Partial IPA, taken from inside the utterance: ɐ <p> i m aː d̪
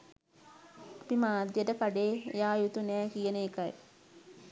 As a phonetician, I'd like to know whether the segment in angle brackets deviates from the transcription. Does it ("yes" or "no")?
no